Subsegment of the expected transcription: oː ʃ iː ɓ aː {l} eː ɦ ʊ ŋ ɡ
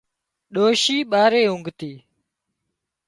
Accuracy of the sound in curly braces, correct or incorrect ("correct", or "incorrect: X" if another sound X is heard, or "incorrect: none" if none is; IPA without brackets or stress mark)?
incorrect: ɾ